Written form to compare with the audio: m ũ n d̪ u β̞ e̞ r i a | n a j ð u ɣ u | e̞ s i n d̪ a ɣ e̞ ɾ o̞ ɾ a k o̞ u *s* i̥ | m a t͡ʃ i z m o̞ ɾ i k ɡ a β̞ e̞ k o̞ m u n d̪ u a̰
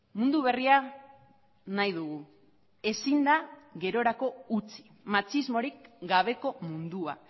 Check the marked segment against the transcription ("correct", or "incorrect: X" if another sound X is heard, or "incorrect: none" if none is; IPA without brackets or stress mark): incorrect: t͡s